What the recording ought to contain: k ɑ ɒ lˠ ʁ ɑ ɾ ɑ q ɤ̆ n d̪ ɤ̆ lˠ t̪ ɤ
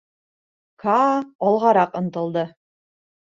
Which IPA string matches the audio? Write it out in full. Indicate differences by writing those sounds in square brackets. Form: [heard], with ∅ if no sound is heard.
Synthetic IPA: k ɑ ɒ lˠ ʁ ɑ ɾ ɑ q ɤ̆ n [t̪] ɤ̆ lˠ [d̪] ɤ